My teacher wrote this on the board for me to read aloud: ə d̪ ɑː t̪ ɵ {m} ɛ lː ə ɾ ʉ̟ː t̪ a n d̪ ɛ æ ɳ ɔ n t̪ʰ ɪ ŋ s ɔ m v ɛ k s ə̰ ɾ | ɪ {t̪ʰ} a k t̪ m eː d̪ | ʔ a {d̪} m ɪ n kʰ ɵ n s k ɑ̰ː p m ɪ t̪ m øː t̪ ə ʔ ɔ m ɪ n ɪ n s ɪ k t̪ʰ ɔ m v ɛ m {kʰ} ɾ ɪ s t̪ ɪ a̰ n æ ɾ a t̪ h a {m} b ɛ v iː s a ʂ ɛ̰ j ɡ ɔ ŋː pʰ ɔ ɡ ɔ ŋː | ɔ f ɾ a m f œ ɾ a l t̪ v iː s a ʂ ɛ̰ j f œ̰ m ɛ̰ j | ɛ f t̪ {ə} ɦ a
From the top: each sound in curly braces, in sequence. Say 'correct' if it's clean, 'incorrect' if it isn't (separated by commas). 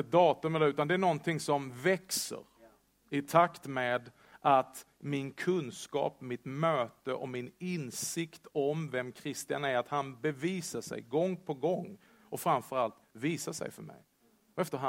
correct, correct, incorrect, correct, incorrect, correct